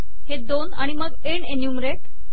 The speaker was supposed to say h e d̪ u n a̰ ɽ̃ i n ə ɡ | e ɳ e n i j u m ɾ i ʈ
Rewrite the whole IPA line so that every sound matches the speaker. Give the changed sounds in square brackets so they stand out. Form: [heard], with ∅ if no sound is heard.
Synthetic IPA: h e d̪ [o] n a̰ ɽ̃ i [m] ə ɡ | e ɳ e n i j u m ɾ [e] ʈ